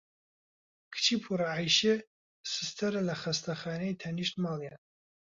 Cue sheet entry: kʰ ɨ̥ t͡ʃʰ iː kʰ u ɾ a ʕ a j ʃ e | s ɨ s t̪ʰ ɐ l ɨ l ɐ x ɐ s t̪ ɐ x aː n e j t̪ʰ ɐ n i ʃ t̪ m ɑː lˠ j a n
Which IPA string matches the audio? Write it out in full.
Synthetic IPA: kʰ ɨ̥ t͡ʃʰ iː pʰ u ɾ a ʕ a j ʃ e | s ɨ s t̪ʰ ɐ ɾ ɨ l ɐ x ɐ s t̪ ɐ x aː n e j t̪ʰ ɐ n i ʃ t̪ m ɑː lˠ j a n